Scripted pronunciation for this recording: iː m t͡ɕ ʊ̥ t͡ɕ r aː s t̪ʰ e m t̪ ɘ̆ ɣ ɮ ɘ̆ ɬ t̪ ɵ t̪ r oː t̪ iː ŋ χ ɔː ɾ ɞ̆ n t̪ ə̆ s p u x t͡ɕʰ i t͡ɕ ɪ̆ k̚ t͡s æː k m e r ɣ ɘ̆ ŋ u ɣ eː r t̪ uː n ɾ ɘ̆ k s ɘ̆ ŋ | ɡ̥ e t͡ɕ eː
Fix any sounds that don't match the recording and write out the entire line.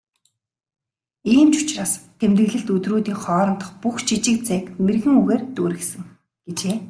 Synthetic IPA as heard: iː m t͡ɕ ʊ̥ t͡ɕ r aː s t̪ʰ e m t̪ ɘ̆ ɣ ɮ ɘ̆ ɬ t̪ ɵ t̪ r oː t̪ iː ŋ χ ɔː ɾ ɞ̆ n t̪ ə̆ χ p u x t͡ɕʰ i t͡ɕ ɪ̆ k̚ t͡s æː k m e r ɣ ɘ̆ ŋ u ɣ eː r t̪ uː ɾ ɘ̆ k s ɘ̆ ŋ | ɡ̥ e t͡ɕ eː